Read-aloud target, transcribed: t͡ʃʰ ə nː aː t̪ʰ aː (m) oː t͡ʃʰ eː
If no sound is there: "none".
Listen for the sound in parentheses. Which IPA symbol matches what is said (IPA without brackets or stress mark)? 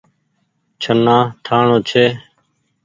ɳ